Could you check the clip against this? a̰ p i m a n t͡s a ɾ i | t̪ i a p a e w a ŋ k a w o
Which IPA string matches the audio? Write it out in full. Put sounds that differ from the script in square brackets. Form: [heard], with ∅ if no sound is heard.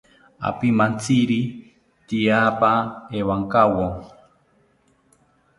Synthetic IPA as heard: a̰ p i m a n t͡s [i] ɾ i | t̪ i a p a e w a ŋ k a w o